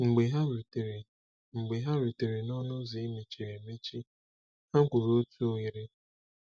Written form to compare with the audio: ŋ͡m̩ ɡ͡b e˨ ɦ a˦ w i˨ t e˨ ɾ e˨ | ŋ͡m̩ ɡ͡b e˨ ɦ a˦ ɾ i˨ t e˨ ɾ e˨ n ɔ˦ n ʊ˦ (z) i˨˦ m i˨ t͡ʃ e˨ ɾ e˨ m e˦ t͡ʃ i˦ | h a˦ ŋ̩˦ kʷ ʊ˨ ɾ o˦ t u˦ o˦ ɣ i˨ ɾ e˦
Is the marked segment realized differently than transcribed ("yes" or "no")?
no